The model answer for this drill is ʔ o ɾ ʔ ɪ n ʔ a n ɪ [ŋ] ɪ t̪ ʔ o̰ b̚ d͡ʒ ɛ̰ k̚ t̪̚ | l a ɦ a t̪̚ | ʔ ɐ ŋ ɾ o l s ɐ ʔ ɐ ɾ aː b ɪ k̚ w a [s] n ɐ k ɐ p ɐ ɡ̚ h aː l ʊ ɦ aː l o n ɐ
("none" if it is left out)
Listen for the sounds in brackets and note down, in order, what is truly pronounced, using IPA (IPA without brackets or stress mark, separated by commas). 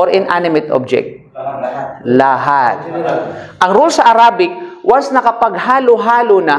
m, s